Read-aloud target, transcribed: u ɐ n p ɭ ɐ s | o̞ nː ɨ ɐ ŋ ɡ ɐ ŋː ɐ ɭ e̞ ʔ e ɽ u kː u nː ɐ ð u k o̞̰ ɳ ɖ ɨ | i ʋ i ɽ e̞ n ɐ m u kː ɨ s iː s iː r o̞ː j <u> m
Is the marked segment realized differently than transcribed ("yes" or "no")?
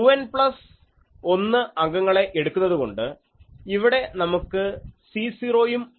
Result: no